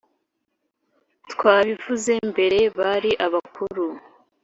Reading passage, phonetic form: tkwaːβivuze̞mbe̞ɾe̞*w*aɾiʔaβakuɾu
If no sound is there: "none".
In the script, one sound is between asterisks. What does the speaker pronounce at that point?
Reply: β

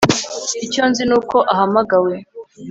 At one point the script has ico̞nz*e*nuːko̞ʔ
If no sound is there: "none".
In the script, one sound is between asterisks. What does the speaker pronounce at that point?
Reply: i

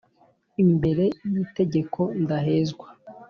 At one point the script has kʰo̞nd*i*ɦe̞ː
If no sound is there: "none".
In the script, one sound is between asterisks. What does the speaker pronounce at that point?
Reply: a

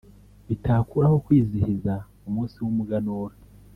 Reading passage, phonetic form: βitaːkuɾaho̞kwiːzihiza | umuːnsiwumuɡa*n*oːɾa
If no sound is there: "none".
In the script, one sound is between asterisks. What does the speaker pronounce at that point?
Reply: n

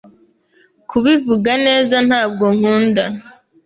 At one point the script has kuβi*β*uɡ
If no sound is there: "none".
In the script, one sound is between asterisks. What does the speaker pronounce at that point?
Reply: v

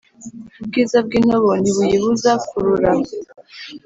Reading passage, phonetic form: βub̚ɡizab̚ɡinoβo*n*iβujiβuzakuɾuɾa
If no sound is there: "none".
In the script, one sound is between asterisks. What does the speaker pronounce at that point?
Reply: n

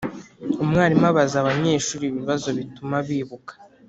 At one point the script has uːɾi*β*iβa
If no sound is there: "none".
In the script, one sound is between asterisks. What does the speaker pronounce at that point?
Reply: β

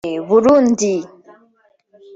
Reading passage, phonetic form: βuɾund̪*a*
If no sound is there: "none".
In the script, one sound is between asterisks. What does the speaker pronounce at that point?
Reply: i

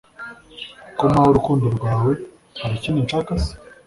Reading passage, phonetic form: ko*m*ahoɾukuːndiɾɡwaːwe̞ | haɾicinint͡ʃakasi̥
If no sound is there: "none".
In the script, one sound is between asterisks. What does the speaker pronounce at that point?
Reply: m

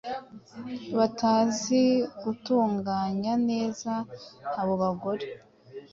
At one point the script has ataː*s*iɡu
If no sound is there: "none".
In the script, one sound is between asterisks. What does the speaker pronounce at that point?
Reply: z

